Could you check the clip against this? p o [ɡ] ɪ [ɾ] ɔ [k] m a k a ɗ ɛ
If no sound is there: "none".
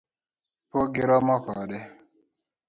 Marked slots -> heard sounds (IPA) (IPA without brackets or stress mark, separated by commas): ɡ, ɾ, none